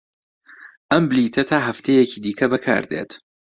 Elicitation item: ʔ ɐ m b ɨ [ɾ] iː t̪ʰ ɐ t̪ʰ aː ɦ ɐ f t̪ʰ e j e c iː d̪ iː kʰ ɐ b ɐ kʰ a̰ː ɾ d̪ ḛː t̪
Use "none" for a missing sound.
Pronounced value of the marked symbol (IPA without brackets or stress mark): l